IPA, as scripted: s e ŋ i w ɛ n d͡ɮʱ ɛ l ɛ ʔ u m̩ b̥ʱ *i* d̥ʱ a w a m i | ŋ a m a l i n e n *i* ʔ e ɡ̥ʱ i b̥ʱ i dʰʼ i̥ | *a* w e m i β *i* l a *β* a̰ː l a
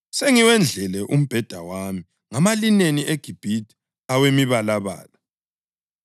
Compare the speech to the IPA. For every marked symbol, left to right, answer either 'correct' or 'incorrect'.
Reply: incorrect: ɛ, correct, correct, incorrect: a, correct

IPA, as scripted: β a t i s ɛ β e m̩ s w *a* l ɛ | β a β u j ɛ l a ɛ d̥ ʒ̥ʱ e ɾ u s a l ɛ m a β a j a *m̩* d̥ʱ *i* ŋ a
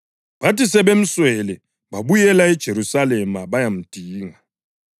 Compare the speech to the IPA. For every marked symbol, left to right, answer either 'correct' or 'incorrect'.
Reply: incorrect: ɛ, correct, incorrect: iː

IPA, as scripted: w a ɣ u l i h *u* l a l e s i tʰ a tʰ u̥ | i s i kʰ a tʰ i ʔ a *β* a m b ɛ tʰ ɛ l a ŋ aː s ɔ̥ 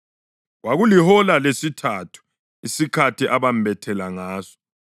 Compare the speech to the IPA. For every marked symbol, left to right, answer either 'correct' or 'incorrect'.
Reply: incorrect: ɔ, correct

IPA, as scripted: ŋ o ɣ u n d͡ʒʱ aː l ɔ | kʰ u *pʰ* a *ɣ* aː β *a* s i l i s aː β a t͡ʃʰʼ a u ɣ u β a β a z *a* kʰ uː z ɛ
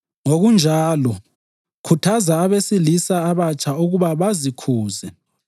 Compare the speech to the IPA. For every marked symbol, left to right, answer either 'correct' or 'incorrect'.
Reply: incorrect: tʰ, incorrect: z, incorrect: e, incorrect: i

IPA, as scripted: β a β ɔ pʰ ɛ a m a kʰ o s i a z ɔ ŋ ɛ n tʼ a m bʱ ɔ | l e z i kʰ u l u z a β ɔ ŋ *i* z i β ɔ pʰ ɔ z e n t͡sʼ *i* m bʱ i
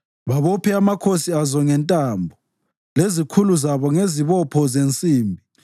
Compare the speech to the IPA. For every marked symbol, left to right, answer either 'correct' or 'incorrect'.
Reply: incorrect: e, incorrect: iː

